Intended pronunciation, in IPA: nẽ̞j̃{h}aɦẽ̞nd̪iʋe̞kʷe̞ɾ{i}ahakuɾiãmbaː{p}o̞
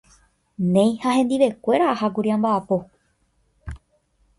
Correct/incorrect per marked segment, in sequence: correct, incorrect: a, correct

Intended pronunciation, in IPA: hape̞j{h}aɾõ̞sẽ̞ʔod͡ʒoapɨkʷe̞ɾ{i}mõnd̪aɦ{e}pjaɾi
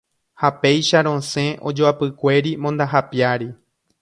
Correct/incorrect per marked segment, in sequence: incorrect: ʃ, correct, incorrect: a

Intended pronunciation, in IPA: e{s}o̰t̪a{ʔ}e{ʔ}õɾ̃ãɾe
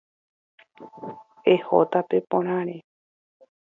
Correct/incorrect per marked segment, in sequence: incorrect: h, incorrect: p, incorrect: p

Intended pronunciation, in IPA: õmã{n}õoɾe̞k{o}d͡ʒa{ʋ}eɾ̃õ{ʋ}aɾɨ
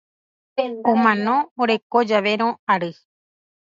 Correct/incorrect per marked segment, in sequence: correct, correct, correct, incorrect: none

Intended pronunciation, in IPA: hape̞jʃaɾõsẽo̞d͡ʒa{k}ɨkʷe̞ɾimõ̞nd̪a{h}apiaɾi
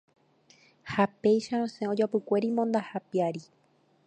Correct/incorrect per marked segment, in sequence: incorrect: p, correct

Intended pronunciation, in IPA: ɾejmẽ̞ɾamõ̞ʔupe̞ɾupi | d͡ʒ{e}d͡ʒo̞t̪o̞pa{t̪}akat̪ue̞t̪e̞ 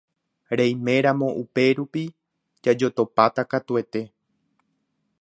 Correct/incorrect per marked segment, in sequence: incorrect: a, correct

